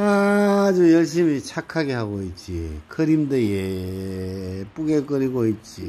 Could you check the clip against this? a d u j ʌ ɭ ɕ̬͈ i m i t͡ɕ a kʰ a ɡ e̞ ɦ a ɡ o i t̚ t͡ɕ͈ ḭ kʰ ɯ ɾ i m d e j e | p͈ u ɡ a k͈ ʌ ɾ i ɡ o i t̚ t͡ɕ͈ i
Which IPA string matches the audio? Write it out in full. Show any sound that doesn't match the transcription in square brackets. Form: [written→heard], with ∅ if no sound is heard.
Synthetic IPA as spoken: a [d→d͡ʑ] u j ʌ ɭ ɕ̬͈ i m i [t͡ɕ→t͡ɕʰ] a kʰ a ɡ e̞ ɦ a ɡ o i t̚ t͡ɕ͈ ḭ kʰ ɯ ɾ i m d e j e | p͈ u ɡ [a→e] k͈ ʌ ɾ i ɡ o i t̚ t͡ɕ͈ i